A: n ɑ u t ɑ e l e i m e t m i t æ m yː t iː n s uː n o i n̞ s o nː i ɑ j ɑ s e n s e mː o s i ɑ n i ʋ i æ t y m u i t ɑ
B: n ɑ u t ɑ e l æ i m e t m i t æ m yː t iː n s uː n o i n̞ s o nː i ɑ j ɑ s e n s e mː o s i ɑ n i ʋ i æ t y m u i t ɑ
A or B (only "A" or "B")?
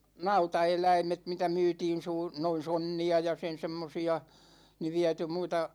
B